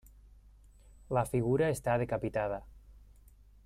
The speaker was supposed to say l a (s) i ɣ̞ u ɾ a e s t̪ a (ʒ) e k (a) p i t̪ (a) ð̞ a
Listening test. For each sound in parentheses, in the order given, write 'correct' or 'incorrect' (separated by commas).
incorrect, incorrect, correct, correct